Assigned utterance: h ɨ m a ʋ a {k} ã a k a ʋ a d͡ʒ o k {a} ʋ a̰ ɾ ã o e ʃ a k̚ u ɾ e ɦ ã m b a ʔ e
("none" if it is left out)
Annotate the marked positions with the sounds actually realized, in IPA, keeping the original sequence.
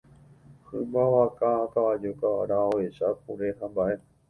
k, a

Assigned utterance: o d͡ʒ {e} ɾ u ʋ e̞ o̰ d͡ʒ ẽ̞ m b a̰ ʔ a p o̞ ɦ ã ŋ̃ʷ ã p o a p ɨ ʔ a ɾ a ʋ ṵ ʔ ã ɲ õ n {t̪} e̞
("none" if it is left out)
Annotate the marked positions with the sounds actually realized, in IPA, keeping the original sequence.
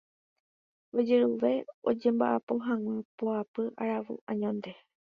e, d̪

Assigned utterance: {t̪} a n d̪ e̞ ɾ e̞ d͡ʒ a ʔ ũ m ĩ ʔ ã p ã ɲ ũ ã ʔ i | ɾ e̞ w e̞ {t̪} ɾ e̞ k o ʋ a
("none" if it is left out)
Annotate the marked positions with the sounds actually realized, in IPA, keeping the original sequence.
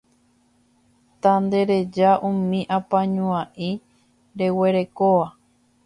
t̪, none

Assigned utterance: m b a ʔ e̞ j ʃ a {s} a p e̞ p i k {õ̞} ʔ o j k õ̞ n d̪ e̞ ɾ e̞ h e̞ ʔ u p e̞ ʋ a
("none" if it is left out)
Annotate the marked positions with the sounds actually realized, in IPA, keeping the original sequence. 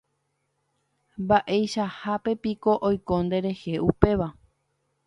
h, o̞

